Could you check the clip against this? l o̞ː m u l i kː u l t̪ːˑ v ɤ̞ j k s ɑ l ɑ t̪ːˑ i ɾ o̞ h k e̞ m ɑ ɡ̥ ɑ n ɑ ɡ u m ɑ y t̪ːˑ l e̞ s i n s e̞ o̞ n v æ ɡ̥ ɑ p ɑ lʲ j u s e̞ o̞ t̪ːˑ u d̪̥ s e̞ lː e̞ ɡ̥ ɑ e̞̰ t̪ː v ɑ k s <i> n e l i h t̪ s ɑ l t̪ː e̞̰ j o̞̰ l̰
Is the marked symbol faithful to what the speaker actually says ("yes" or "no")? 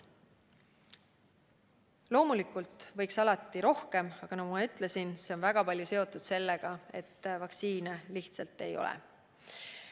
no